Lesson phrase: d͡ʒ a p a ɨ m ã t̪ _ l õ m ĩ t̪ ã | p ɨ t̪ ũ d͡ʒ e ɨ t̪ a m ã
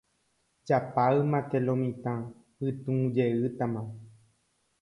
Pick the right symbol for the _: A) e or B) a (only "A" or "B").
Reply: A